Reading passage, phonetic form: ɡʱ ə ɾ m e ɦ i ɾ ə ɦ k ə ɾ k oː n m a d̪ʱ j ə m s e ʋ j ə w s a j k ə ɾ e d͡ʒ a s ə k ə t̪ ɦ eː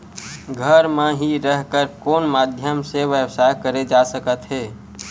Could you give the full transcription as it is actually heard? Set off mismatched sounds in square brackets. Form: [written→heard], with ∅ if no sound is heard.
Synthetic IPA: ɡʱ ə ɾ m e ɦ i ɾ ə ɦ k ə ɾ k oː n m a d̪ʱ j ə m s e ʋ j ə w s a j k ə ɾ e d͡ʒ a s ə k ə t̪ ɦ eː